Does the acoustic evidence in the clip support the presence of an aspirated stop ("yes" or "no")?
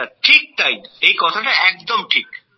yes